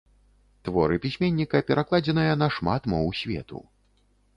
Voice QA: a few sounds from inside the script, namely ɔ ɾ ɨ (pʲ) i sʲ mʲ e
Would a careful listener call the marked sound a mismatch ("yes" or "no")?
no